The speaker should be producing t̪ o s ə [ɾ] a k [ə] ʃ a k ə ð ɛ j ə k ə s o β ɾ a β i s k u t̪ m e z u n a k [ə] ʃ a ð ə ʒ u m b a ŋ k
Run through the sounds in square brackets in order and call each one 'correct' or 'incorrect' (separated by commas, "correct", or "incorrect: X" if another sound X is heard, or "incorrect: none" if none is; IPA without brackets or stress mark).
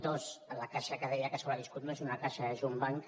incorrect: l, incorrect: a, incorrect: a